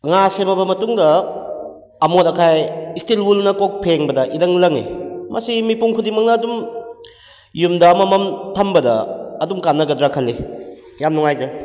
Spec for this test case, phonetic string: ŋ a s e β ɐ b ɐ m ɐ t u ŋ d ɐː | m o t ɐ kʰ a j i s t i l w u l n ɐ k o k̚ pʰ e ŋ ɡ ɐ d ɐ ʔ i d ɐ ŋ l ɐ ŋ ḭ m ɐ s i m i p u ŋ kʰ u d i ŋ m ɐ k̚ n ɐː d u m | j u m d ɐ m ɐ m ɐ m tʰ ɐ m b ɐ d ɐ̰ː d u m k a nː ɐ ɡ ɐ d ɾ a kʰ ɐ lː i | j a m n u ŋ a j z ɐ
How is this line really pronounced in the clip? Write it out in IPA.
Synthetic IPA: ŋ a s e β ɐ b ɐ m ɐ t u ŋ d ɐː | m o t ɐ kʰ a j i s t i l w u l n ɐ k o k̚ pʰ e ŋ b ɐ d ɐ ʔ i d ɐ ŋ l ɐ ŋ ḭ m ɐ s i m i p u ŋ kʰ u d i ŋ m ɐ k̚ n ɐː d u m | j u m d ɐ m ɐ m ɐ m tʰ ɐ m b ɐ d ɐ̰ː d u m k a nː ɐ ɡ ɐ d ɾ a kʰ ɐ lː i | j a m n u ŋ a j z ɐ